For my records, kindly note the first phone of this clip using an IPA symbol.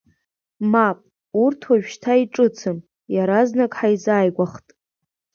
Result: m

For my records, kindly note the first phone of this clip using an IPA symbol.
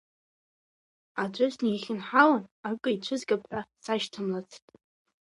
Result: a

